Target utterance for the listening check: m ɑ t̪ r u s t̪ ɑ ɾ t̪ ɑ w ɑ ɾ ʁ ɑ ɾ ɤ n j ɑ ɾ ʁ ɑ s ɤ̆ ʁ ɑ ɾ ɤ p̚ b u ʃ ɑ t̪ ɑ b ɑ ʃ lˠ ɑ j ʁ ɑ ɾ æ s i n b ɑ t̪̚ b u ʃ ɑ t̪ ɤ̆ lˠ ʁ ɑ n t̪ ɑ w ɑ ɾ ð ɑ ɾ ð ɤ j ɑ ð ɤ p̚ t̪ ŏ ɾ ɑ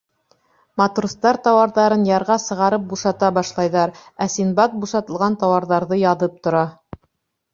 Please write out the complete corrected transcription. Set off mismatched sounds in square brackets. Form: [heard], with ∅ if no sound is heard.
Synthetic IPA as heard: m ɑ t̪ r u s t̪ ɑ ɾ t̪ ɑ w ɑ ɾ [ð] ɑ ɾ ɤ n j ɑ ɾ ʁ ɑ s ɤ̆ ʁ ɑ ɾ ɤ p̚ b u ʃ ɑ t̪ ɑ b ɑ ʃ lˠ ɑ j [ð] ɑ ɾ æ s i n b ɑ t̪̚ b u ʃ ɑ t̪ ɤ̆ lˠ ʁ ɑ n t̪ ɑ w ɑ ɾ ð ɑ ɾ ð ɤ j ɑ ð ɤ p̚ t̪ ŏ ɾ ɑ